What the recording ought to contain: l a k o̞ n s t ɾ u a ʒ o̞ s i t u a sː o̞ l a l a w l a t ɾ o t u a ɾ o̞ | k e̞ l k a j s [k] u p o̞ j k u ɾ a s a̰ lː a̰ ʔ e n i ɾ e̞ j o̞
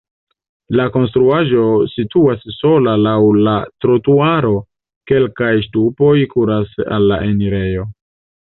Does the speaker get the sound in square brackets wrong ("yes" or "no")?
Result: yes